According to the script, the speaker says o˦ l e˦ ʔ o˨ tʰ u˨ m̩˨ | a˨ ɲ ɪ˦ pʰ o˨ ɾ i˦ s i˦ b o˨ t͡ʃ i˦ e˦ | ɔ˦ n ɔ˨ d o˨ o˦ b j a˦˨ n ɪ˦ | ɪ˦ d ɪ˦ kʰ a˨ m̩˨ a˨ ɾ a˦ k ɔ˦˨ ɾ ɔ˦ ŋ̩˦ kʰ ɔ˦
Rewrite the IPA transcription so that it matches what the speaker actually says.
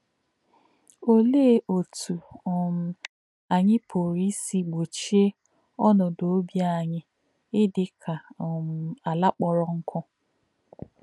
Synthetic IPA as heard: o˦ l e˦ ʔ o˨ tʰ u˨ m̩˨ | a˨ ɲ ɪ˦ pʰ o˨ ɾ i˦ s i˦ ɡ͡b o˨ t͡ʃ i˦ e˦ | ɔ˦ n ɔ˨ d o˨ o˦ b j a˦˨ ɲ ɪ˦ | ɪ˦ d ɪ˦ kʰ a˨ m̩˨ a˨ l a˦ k͡p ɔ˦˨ ɾ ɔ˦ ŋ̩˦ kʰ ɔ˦